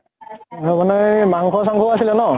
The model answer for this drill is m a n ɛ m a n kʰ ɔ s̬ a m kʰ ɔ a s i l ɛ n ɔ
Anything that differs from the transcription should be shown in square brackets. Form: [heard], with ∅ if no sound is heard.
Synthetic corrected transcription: m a n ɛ m a [ŋ] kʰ ɔ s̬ a [ŋ] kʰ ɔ a s i l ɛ n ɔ